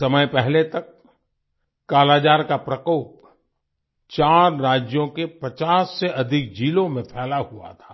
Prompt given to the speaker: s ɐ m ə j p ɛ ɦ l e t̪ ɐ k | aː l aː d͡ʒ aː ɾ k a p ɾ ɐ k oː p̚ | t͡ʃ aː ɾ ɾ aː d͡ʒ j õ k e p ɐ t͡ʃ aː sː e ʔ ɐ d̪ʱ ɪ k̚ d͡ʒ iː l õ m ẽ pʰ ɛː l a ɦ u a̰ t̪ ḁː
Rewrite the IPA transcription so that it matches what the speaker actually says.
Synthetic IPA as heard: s ɐ m ə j p ɛ ɦ l e t̪ ɐ k | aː l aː d͡ʒ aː ɾ k a p ɾ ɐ k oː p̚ | t͡ʃ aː ɾ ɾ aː d͡ʒ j õ k e p ɐ t͡ʃ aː sː e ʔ ɐ d̪ʱ ɪ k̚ d͡ʒ iː l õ m ẽ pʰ ɛː l a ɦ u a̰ t̪ʰ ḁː